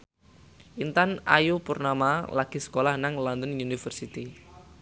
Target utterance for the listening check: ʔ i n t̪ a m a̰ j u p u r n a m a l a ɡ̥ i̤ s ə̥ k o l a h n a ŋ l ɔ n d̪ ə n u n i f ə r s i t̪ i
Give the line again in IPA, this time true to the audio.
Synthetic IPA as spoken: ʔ i n t̪ a n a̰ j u p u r n a m a l a ɡ̥ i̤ s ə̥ k o l a h n a ŋ l ɔ n d̪ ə n u n i f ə r s i t̪ i